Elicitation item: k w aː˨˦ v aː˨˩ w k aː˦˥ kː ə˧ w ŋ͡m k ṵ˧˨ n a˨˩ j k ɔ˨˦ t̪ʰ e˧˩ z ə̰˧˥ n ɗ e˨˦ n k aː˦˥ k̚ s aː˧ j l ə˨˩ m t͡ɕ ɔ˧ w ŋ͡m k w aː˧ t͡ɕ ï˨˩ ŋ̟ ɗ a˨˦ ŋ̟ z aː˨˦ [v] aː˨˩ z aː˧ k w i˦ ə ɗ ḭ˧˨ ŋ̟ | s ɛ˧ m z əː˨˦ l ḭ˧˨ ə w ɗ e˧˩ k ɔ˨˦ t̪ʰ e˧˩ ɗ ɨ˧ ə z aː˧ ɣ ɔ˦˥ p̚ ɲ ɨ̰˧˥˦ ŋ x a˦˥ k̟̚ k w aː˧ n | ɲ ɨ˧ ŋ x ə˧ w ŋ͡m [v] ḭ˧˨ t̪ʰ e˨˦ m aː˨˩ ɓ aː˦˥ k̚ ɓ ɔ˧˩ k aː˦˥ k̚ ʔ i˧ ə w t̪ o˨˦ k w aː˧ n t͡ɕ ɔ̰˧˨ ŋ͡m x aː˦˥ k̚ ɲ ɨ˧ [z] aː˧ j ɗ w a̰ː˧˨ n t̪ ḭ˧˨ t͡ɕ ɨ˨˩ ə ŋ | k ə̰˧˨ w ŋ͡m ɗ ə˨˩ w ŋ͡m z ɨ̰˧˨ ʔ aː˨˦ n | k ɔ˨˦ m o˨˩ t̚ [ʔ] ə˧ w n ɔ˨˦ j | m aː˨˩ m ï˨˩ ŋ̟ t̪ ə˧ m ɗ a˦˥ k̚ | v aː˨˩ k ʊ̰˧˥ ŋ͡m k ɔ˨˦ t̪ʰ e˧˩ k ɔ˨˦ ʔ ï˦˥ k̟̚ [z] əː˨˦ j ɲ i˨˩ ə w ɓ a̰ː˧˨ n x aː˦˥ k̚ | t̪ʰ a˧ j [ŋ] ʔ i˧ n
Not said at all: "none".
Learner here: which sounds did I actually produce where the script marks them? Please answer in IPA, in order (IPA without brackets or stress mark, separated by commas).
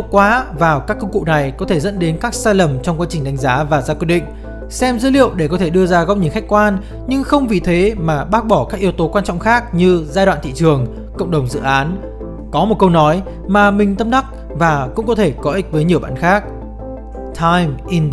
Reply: v, v, z, k, v, m